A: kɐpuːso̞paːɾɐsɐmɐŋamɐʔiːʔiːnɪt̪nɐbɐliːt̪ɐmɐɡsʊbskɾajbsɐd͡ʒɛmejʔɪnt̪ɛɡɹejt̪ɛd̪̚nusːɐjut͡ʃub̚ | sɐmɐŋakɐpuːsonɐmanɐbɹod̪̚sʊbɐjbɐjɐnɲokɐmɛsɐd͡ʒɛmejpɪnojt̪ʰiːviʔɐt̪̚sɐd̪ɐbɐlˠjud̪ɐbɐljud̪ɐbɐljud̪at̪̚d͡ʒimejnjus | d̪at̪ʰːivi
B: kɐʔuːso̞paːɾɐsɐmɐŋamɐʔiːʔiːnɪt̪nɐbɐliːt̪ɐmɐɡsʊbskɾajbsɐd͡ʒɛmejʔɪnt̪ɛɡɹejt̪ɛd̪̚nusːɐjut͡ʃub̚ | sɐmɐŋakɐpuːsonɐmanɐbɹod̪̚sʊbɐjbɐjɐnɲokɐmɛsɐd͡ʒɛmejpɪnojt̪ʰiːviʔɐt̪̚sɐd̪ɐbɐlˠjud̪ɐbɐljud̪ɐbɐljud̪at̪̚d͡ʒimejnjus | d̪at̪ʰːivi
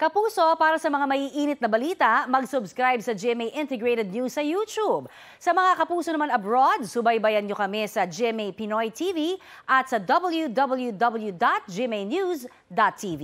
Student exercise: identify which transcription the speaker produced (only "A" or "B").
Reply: A